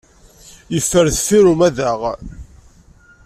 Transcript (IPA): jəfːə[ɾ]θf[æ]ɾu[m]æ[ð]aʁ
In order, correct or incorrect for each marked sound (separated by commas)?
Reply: correct, incorrect, correct, correct